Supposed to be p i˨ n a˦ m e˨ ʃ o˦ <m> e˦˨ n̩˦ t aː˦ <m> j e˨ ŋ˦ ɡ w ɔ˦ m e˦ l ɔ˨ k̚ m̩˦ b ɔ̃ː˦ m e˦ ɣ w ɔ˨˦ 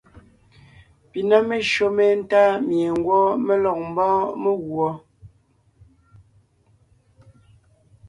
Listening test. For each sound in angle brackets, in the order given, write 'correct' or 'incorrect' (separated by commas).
correct, correct